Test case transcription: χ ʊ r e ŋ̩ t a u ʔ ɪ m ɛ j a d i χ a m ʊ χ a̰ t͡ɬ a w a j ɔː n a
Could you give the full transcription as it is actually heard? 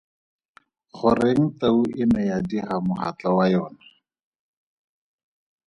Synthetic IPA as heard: χ ʊ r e ŋ̩ t a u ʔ ɪ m ɛ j a d i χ a m ʊ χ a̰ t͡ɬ a w a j ɔː n a